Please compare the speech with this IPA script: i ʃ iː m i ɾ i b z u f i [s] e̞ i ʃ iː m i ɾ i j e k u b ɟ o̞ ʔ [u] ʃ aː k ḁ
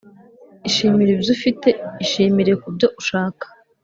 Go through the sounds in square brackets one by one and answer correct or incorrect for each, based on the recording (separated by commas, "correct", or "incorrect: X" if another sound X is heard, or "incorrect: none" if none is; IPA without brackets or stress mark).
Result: incorrect: t, correct